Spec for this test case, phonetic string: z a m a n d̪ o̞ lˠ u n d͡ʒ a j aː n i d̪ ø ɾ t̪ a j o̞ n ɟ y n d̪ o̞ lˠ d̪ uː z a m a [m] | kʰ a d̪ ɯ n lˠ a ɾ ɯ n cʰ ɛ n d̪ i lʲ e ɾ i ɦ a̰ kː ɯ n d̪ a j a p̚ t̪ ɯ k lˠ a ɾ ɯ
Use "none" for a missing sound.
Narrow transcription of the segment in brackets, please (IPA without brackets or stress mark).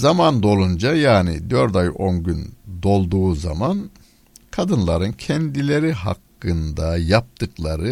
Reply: n